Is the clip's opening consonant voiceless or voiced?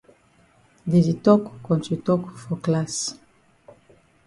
voiced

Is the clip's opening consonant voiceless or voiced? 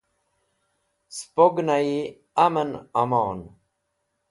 voiceless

